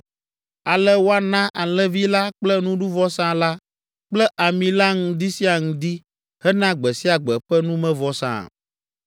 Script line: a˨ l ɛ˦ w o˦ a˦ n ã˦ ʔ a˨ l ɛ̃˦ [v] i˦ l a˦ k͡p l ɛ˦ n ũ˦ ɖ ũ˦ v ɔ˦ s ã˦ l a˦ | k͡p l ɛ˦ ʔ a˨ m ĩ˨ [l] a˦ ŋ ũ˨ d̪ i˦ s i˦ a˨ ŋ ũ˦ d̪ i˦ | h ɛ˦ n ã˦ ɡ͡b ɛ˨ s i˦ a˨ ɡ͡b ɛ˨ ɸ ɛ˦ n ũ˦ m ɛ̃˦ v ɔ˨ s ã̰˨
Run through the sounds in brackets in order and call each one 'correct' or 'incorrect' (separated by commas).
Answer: correct, correct